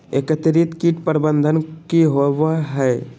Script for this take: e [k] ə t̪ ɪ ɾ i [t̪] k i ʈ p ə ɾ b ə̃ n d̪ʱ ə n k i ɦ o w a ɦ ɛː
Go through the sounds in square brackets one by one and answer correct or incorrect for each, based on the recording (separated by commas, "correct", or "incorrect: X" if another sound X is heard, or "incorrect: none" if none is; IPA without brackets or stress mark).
correct, correct